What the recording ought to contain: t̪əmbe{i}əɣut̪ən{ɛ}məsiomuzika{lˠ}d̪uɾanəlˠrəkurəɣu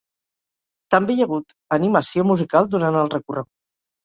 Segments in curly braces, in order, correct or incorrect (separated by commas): incorrect, incorrect, correct